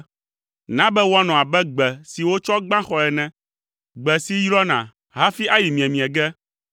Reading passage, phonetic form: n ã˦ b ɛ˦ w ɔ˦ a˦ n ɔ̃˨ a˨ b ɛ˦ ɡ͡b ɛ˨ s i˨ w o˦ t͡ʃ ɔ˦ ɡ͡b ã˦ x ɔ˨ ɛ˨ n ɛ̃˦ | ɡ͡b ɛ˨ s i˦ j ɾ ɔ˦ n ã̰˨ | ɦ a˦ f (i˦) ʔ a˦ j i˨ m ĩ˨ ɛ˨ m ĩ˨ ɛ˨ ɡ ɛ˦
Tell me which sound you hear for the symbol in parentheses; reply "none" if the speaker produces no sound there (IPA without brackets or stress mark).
i˦